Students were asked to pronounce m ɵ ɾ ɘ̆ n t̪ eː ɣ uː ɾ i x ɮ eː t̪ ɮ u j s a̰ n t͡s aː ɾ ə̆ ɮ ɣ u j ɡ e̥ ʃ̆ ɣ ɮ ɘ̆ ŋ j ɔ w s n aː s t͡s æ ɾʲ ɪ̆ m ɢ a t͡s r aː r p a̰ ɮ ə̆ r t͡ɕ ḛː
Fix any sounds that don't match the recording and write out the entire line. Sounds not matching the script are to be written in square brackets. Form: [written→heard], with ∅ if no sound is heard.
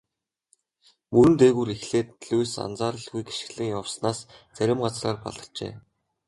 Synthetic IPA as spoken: m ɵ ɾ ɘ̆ n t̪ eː ɣ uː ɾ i x ɮ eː t̪ ɮ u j s a̰ n t͡s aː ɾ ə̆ ɮ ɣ u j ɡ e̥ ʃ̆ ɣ ɮ ɘ̆ ŋ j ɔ w s n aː s t͡s æ ɾʲ ɪ̆ m ɢ a t͡s r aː r p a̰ ɮ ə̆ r t͡ɕ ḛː